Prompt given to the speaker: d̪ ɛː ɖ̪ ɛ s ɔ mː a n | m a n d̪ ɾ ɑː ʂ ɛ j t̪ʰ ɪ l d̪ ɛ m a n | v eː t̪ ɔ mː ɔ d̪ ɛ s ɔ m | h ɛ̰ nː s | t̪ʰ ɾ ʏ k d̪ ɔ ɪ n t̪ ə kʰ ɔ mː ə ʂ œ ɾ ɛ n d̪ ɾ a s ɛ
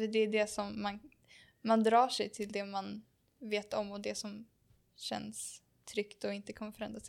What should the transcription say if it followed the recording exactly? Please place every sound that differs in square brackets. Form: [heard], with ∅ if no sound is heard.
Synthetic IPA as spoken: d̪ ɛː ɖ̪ ɛ s ɔ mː a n | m a n d̪ ɾ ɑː ʂ ɛ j t̪ʰ ɪ l d̪ ɛ m a n | v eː t̪ ɔ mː ɔ d̪ ɛ s ɔ m | [ɕ] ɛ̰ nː s | t̪ʰ ɾ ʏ k [t̪] ɔ ɪ n t̪ ə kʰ ɔ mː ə [f] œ ɾ ɛ n d̪ ɾ a s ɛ